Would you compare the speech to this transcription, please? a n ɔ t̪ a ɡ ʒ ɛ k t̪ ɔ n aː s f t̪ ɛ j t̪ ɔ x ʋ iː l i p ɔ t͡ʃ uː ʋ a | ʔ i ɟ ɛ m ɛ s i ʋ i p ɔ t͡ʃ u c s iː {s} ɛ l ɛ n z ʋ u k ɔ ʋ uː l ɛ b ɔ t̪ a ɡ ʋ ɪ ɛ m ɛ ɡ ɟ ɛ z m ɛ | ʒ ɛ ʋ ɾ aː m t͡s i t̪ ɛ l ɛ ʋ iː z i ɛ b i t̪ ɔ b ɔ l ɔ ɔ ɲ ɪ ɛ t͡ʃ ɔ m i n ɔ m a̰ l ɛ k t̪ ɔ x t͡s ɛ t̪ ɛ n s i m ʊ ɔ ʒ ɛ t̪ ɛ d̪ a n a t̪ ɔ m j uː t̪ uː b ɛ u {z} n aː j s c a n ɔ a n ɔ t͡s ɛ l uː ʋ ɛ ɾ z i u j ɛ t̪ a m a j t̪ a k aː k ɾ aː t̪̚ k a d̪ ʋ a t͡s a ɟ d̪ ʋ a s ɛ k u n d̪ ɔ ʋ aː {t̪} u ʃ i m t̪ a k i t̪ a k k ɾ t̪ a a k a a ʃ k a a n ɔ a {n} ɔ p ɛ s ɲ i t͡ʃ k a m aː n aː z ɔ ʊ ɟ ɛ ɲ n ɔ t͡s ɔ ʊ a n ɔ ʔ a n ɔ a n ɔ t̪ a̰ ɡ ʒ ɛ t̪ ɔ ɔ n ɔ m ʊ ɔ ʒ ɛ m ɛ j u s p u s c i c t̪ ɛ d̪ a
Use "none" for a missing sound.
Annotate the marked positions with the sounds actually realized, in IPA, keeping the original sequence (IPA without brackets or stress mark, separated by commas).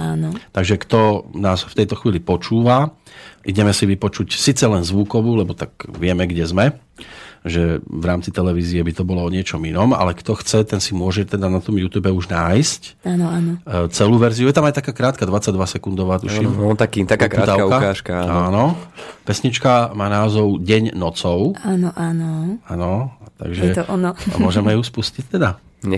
t͡s, ʒ, t̪, n